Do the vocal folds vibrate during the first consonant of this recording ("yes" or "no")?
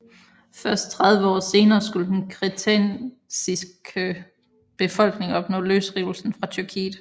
no